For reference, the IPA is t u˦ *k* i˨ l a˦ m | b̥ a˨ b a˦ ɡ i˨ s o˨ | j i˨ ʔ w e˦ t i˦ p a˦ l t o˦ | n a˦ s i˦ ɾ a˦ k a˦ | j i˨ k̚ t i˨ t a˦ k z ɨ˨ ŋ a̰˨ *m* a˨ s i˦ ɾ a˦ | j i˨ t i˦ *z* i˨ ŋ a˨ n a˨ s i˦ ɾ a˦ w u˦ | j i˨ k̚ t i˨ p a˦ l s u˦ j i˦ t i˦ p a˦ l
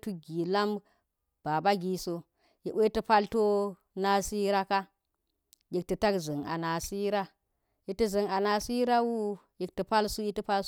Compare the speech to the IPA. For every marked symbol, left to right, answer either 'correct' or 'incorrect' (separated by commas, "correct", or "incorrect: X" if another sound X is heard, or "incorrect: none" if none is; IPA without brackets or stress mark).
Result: incorrect: ɡ, incorrect: n, correct